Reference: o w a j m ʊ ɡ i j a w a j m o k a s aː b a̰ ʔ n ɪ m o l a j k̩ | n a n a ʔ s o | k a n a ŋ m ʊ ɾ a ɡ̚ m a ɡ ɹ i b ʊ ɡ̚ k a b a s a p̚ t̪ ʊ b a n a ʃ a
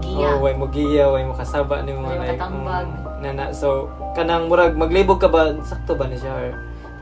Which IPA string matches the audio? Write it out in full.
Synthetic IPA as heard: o w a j m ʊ ɡ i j a w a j m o k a s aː b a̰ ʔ n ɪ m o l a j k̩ | n a n a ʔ s o | k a n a ŋ m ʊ ɾ a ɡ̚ m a ɡ l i b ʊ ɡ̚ k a b a s a k̚ t̪ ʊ b a n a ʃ a